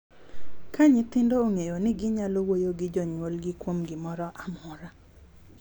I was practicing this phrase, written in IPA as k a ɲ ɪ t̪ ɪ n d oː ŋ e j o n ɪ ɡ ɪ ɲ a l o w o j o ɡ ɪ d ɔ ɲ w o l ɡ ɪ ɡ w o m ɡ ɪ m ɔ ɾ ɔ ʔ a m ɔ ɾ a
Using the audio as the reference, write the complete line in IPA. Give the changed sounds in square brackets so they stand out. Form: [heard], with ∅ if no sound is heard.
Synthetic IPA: k a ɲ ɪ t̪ ɪ n d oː ŋ e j o n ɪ ɡ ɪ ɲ a l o w o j o ɡ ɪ [d͡ʒ] ɔ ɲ w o l ɡ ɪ [k] w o m ɡ ɪ m ɔ ɾ ɔ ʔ a m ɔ ɾ a